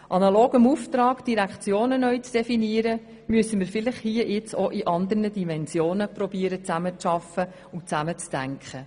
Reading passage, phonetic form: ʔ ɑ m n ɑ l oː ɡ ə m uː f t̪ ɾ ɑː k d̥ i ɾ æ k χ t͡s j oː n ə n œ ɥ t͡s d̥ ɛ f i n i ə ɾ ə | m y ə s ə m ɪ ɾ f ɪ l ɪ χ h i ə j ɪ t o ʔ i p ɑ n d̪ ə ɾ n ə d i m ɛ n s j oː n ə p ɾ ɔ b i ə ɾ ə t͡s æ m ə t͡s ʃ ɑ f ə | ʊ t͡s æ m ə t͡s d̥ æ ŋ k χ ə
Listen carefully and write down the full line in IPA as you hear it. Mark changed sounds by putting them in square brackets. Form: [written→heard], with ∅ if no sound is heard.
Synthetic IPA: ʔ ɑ [m→∅] n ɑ l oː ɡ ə m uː f t̪ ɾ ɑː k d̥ i ɾ æ k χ t͡s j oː n ə n œ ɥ t͡s d̥ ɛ f i n i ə ɾ ə | m y ə s ə m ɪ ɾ f ɪ l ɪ χ h i ə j ɪ [t→t͡s] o ʔ i [p→ʔ] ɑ n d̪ ə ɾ n ə d i m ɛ n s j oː n ə p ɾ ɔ b i ə ɾ ə t͡s æ m ə t͡s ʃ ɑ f ə | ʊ t͡s æ m ə t͡s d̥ æ ŋ k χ ə

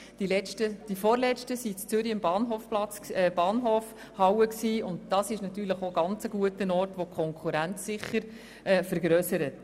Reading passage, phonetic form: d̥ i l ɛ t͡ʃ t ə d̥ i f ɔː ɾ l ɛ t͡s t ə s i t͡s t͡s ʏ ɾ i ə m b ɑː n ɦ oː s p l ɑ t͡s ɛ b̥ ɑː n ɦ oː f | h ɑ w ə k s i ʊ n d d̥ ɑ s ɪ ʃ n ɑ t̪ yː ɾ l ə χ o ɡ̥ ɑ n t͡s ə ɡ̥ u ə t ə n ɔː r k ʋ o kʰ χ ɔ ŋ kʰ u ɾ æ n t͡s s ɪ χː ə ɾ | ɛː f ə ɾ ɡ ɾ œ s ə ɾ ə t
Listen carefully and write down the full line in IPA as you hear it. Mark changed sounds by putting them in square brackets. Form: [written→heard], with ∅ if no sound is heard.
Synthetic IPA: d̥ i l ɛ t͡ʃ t ə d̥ i f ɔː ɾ l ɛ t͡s t ə s i t͡s t͡s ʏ ɾ i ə m b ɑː n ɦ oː [s→f] p l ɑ t͡s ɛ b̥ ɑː n ɦ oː f | h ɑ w ə k s [i→iː] ʊ n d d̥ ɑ s ɪ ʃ n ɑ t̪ yː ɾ l ə χ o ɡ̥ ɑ n t͡s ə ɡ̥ u ə t ə n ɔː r [k→t] ʋ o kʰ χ ɔ ŋ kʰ u ɾ æ n t͡s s ɪ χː ə ɾ | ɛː f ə ɾ ɡ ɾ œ s ə ɾ ə t

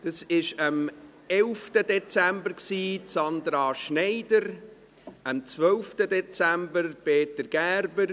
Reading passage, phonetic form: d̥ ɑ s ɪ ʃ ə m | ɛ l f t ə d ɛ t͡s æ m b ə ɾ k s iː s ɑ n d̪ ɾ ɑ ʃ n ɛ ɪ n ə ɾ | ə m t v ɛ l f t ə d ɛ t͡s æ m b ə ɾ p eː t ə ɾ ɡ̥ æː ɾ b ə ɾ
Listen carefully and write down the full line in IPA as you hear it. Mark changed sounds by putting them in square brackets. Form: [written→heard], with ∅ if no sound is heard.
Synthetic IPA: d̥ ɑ s ɪ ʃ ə m | ɛ l f t ə d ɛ t͡s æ m b ə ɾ k s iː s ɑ n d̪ ɾ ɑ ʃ n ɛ ɪ [n→d] ə ɾ | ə m [t→t͡s] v [ɛ→œ] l f t ə d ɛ t͡s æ m b ə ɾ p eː t ə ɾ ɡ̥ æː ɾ b ə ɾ

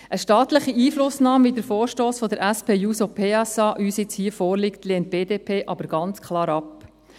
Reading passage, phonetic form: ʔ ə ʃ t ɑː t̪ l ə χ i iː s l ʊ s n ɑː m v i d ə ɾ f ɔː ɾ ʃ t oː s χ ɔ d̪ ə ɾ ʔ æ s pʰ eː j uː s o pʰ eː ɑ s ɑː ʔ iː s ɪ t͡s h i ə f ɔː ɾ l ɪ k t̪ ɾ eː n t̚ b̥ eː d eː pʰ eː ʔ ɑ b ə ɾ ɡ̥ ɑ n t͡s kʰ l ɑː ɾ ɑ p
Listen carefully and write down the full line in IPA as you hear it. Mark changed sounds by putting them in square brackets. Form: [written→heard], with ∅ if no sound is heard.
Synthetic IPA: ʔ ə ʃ t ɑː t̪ l ə χ i iː [s→f] l ʊ s n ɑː m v i d ə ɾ f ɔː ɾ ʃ t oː s [χ→f] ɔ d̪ ə ɾ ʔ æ s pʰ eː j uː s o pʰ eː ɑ s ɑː ʔ [iː→yː] s ɪ t͡s h i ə f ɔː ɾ l ɪ k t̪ [ɾ→l] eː n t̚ b̥ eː d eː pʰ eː ʔ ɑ b ə ɾ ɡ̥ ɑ n t͡s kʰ l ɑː ɾ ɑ p

